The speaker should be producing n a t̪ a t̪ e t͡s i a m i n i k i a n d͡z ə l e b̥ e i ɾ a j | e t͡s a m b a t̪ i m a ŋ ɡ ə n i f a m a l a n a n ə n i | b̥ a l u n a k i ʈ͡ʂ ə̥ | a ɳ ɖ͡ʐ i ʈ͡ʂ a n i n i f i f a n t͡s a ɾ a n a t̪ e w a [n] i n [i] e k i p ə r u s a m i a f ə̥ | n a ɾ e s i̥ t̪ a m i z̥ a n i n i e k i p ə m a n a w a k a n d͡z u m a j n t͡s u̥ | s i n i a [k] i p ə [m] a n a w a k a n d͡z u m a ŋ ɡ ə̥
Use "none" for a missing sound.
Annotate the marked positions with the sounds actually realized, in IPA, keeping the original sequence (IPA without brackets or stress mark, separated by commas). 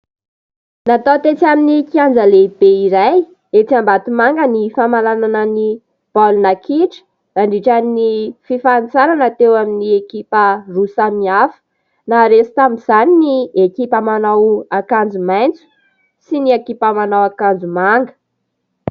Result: m, i, k, m